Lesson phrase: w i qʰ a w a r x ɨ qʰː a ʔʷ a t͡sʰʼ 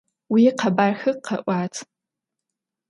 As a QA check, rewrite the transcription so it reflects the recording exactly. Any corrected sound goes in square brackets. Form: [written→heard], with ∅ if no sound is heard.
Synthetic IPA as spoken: w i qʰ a [w→b] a r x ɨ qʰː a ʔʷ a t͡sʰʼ